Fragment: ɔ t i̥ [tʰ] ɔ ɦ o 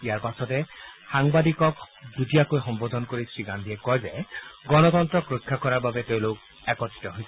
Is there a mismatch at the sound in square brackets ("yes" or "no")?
yes